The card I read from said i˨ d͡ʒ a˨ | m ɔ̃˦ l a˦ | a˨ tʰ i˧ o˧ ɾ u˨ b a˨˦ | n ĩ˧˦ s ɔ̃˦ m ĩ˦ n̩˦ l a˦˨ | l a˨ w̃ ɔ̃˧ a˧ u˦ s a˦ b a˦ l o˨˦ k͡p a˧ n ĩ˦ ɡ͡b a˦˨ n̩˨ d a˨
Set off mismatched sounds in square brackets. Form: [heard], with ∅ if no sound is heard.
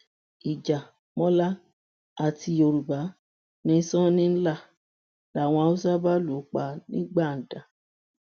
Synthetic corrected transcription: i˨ d͡ʒ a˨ | m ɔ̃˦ l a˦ | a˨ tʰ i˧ o˧ ɾ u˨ b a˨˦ | n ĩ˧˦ s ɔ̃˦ [n] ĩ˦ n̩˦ l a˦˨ | l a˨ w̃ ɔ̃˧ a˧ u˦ s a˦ b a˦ l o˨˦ k͡p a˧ n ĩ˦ ɡ͡b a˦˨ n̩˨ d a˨